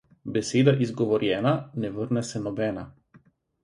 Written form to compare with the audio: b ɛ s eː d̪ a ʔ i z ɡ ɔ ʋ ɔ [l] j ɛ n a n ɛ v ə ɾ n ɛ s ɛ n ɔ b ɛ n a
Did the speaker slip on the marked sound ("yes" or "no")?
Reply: yes